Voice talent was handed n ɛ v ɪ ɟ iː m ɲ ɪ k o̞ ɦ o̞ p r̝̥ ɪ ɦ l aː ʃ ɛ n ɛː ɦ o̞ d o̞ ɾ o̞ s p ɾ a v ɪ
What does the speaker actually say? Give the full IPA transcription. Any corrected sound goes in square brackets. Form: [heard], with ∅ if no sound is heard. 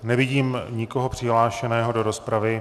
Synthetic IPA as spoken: n ɛ v ɪ ɟ iː m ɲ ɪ k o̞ ɦ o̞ p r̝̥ ɪ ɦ l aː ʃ ɛ n ɛː ɦ o̞ d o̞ ɾ o̞ s p ɾ a v ɪ